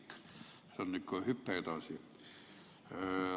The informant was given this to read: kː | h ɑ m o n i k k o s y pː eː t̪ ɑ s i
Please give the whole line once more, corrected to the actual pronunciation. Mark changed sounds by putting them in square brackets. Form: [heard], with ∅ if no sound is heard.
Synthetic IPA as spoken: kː | [s] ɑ [n] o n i k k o [h] y pː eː t̪ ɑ s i

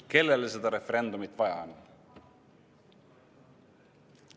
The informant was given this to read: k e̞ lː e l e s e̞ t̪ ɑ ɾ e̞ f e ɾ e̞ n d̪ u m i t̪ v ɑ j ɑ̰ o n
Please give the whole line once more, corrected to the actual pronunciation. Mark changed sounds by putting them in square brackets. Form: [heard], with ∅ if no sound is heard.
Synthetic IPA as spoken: k e̞ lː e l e s e̞ [d̪] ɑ ɾ e̞ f e ɾ e̞ n d̪ u m i t̪ v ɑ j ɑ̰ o n

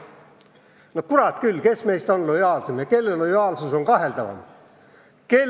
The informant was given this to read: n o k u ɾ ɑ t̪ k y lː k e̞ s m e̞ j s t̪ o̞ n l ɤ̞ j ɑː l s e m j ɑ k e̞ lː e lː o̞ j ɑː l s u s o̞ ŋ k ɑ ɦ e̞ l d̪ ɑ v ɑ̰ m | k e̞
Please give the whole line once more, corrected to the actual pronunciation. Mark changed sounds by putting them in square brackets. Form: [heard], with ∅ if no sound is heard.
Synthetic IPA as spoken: n o k u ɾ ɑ t̪ k y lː k e̞ s m e̞ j s t̪ o̞ n l [o̞] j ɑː l s e m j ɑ k e̞ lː e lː o̞ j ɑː l s u s o̞ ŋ k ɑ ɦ e̞ l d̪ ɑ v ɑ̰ m | k e̞

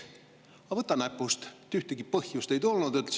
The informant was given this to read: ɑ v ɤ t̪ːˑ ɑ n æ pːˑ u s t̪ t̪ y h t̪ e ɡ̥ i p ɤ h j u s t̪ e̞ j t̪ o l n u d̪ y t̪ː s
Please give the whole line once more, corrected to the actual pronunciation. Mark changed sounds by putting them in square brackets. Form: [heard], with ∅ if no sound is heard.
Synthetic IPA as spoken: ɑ v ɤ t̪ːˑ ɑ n æ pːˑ u s t̪ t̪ y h t̪ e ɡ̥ i p ɤ h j u s t̪ e̞ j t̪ o l n u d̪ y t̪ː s

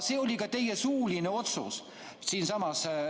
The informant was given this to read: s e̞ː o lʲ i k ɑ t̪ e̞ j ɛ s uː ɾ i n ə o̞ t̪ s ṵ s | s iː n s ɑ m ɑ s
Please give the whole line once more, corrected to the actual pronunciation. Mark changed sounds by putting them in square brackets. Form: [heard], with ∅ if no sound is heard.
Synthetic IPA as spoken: s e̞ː o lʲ i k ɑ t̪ e̞ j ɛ s uː [l] i n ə o̞ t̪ s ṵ s | s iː n s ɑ m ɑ s

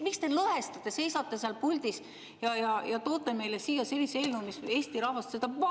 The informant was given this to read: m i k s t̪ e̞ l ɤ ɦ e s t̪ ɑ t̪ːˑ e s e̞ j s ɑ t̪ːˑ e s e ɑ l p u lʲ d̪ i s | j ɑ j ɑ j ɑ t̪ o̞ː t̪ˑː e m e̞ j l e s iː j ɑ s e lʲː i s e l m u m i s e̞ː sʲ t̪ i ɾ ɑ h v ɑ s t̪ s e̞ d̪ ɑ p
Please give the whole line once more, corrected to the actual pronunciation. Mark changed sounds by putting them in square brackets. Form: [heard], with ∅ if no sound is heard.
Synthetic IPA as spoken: m i k s t̪ e̞ l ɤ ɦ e s t̪ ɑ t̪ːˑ e s e̞ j s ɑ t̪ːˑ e s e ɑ l p u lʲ d̪ i s | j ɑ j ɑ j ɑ t̪ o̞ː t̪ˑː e m e̞ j l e s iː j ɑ s e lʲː i s e l [n] u m i s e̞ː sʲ t̪ i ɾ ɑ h v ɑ s t̪ s e̞ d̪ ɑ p

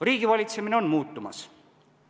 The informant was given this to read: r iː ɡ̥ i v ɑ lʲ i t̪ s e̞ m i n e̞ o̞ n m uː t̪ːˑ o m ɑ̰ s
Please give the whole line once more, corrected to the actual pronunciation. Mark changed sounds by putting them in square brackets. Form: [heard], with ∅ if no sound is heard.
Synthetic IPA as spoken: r iː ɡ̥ i v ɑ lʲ i t̪ s e̞ m i n e̞ o̞ n m uː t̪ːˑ [u] m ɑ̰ s

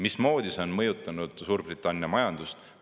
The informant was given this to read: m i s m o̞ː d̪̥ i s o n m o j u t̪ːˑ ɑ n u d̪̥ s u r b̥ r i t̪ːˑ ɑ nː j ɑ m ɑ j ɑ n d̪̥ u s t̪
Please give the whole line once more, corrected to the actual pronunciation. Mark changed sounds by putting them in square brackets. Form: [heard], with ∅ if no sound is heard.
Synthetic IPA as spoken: m i s m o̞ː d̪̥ i s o n m [ɤ] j u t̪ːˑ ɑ n u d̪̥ s [uː] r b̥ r i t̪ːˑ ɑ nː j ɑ m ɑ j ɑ n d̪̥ u s t̪

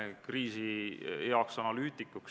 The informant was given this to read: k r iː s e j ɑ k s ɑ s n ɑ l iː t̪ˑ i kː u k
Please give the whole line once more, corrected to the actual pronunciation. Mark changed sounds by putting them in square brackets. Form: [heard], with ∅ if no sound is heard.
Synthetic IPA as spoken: k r iː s [i] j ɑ k s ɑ [∅] n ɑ l [yː] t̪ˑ i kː u k

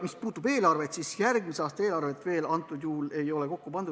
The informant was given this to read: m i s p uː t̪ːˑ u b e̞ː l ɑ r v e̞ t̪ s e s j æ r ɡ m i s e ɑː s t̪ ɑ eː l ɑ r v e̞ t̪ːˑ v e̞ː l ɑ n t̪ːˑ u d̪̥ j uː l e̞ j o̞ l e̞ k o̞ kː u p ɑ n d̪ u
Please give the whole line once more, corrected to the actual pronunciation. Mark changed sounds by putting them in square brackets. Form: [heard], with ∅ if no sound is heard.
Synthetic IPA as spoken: m i s p uː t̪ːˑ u b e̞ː l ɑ r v e̞ t̪ s [i] s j æ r ɡ m i s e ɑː s t̪ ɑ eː l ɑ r v e̞ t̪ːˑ v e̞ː l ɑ n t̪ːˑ u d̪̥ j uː l e̞ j o̞ l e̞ k o̞ kː u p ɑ n d̪ u

